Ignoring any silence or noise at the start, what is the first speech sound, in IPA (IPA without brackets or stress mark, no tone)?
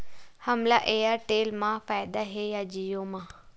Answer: h